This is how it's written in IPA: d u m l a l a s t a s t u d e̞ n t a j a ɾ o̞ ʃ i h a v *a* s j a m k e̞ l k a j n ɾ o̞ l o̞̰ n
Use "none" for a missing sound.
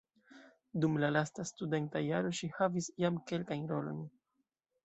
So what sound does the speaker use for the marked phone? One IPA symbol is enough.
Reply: i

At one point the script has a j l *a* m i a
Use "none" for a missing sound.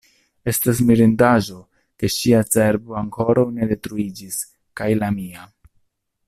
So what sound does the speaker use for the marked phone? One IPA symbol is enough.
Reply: a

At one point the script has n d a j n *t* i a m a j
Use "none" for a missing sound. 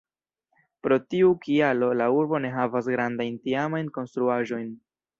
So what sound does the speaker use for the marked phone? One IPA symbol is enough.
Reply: t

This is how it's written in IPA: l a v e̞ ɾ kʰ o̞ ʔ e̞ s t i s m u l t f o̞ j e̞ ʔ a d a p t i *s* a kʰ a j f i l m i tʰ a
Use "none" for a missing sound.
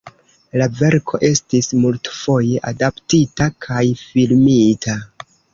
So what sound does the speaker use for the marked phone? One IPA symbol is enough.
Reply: t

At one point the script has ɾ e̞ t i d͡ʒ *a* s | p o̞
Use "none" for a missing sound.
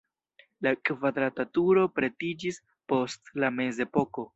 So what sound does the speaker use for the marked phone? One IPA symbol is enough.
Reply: i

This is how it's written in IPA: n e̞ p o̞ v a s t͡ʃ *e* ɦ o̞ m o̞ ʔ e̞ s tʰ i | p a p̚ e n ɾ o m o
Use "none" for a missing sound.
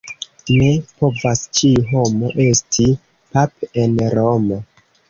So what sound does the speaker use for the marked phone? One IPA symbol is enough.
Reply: i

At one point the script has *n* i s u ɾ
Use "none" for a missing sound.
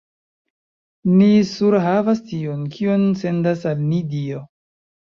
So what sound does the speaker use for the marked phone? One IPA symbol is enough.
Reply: n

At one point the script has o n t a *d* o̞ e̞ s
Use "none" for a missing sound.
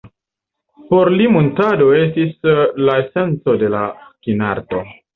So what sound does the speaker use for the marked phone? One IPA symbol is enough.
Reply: d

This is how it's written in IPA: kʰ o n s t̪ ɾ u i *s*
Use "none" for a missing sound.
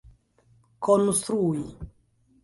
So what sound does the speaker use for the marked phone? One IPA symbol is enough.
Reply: none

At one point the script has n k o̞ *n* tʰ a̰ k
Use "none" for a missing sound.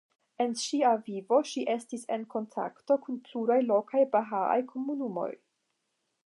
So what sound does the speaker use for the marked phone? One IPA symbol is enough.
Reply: n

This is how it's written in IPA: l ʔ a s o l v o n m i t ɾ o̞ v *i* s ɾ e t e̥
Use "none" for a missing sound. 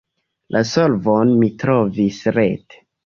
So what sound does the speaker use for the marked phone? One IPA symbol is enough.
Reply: i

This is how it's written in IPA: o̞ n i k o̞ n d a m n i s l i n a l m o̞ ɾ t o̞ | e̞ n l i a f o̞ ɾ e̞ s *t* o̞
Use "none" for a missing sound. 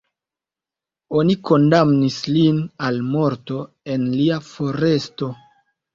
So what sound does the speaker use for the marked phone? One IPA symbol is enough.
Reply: t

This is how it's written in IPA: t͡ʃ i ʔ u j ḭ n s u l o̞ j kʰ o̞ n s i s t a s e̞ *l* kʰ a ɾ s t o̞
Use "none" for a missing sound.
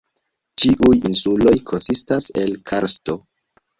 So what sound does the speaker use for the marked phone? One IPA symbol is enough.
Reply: l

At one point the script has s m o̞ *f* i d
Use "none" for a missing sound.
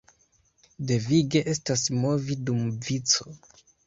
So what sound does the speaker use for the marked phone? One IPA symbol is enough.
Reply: v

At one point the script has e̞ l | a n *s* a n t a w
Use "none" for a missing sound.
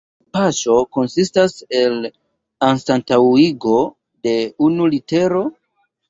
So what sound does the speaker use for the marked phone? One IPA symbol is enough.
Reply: s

